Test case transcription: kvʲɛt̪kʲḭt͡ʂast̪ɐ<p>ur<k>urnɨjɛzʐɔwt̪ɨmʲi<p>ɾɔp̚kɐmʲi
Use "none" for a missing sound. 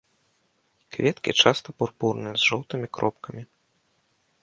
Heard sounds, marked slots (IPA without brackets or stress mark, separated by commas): p, p, k